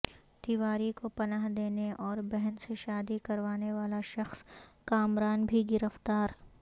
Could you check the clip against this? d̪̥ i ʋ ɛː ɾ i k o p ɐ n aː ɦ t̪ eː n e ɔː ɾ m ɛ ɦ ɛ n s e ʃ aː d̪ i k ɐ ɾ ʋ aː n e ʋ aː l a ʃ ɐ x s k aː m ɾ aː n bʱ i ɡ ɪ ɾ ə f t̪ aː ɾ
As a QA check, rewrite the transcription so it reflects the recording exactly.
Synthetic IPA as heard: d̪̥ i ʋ aː ɾ i k o p ɐ n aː ɦ d̪ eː n e ɔː ɾ b ɛ ɦ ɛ n s e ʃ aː d̪ i k ɐ ɾ ʋ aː n e ʋ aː l a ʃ ɐ x s k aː m ɾ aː n bʱ i ɡ ɪ ɾ ə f t̪ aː ɾ